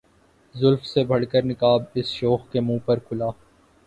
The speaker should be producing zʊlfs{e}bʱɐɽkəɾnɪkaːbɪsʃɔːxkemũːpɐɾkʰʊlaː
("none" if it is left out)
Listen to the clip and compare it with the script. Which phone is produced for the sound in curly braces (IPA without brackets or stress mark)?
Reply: e